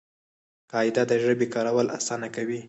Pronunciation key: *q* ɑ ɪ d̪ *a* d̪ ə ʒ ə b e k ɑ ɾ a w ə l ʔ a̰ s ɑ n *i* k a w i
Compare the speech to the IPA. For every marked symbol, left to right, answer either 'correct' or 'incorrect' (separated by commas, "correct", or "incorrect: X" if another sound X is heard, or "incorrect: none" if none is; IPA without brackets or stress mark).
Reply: incorrect: k, correct, incorrect: a